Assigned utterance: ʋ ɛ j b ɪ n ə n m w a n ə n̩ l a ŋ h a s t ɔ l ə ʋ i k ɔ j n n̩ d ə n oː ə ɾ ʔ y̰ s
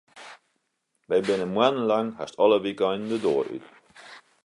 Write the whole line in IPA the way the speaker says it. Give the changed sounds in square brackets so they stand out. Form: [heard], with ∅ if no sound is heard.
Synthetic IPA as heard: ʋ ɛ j b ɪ n ə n m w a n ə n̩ l a ŋ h a s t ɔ l ə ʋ i k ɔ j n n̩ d ə [d] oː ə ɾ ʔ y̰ [t]